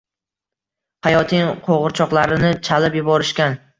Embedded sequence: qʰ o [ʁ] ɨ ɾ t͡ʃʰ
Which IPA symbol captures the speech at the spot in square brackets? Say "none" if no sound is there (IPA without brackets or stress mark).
ʁ